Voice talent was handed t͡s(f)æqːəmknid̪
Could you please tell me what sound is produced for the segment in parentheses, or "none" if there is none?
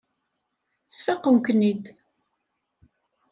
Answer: f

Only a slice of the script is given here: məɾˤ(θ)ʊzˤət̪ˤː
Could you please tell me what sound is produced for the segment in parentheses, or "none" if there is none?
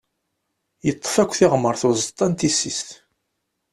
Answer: θ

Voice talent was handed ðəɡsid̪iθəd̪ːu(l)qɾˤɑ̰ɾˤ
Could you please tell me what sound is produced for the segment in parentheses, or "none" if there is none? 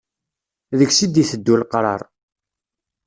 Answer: l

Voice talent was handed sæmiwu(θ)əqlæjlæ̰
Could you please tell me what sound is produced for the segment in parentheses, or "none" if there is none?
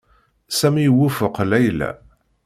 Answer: f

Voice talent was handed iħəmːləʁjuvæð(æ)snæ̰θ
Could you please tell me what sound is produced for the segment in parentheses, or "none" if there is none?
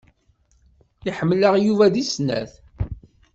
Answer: i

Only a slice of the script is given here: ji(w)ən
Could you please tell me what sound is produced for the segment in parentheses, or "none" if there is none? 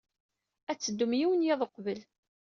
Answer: w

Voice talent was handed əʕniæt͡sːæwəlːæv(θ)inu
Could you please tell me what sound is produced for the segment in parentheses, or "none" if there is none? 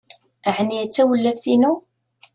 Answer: θ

